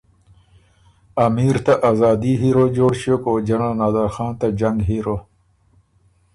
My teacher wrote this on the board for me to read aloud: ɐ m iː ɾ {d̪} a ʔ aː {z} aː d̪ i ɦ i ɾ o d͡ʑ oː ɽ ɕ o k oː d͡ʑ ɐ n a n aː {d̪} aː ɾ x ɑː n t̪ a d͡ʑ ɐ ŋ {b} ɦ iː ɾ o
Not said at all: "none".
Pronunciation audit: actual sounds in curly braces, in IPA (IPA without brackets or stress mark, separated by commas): t̪, z, d̪, ɡ